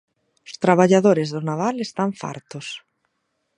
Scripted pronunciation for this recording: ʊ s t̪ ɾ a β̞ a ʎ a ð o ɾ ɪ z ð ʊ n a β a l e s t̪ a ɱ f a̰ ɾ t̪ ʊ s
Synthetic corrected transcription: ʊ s t̪ ɾ a β̞ a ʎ a ð o ɾ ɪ z ð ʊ n a β a l e s t̪ a ɱ f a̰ ɾ t̪ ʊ s